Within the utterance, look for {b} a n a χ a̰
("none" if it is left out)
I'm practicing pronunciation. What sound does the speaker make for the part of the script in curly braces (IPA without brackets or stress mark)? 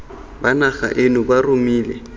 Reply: b